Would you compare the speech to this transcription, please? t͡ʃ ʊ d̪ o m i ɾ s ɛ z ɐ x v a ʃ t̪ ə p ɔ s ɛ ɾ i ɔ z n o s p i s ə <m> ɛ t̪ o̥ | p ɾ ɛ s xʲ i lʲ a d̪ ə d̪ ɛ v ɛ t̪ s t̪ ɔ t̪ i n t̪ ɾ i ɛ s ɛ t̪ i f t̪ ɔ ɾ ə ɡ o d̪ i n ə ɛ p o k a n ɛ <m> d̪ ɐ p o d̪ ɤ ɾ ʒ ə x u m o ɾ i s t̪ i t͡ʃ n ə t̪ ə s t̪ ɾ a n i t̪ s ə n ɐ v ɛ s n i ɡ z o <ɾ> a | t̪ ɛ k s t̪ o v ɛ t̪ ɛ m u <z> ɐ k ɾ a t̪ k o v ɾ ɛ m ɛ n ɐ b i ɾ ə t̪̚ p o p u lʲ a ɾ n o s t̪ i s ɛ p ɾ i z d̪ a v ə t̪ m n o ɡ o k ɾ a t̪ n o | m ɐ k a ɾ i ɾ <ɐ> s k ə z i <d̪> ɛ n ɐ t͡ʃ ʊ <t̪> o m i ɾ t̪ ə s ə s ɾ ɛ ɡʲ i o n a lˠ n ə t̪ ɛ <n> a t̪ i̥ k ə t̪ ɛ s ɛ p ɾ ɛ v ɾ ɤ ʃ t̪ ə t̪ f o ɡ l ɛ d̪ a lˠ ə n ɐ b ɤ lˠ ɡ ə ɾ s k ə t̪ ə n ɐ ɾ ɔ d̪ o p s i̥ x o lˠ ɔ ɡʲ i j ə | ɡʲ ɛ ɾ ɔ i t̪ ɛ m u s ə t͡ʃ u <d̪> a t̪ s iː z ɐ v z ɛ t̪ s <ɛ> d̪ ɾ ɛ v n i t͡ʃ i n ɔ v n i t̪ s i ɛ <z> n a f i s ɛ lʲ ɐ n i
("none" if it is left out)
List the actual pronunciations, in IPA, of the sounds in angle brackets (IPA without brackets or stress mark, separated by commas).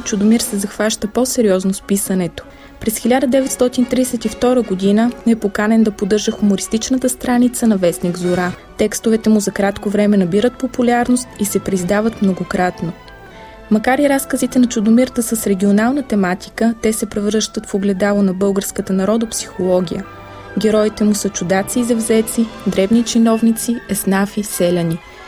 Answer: n, n, ɾ, z, a, t̪, d̪, m, d̪, i, s